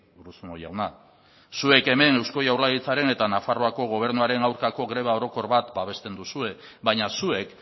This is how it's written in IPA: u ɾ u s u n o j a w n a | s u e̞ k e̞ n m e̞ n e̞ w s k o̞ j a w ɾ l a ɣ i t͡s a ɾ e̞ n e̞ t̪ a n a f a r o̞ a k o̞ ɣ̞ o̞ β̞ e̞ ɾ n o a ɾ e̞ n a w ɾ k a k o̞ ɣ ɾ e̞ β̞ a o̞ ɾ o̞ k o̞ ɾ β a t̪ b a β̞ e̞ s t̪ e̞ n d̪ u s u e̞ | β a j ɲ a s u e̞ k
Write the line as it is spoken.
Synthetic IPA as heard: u ɾ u s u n o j a w n a | s u e̞ k e̞ m e̞ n e̞ w s k o̞ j a w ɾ l a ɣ i t͡s a ɾ e̞ n e̞ t̪ a n a f a r o̞ a k o̞ ɣ̞ o̞ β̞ e̞ ɾ n u a ɾ e̞ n a w ɾ k a k o̞ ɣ ɾ e̞ β̞ a o̞ ɾ o̞ k o̞ ɾ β a t̪ b a β̞ e̞ s t̪ e̞ n d̪ u s u e̞ | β a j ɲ a s u e̞ k